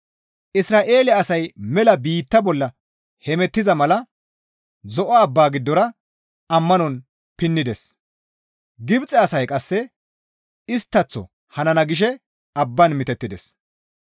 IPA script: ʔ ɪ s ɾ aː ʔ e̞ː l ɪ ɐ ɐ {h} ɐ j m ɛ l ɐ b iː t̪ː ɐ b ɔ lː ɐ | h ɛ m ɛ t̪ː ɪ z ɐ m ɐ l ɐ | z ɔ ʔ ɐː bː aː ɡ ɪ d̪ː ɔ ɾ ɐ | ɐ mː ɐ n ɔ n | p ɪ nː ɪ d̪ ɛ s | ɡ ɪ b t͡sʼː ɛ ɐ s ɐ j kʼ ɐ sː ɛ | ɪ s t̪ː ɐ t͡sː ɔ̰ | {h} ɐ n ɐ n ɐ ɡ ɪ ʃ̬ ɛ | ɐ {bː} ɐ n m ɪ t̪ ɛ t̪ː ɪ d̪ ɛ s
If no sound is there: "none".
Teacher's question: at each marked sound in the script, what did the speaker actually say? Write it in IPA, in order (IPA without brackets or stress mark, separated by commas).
s, h, bː